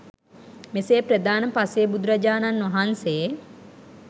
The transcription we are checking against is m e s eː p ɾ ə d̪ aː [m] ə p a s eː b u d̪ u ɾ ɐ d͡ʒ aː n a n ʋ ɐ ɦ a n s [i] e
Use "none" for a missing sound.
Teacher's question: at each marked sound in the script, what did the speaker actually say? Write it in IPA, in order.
n, e

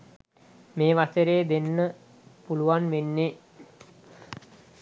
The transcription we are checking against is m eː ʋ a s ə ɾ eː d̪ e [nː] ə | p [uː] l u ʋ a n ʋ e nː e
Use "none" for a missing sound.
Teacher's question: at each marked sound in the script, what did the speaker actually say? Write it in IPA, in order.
nː, u

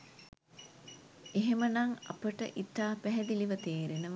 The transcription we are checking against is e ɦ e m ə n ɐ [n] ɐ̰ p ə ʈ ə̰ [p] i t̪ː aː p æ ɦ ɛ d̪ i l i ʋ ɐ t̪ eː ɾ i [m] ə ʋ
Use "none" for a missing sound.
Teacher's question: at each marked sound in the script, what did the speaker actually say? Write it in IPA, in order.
ŋ, ʔ, n

